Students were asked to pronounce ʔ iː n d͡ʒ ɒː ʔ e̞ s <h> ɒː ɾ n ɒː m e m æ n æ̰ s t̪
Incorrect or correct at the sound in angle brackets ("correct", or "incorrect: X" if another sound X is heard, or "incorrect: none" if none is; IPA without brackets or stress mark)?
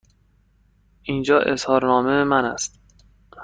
correct